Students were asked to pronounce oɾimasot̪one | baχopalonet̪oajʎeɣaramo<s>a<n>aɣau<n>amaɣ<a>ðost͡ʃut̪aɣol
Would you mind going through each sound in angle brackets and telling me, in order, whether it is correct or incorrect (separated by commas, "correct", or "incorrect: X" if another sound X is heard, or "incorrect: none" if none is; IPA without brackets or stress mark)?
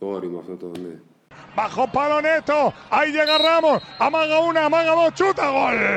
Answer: correct, incorrect: m, correct, correct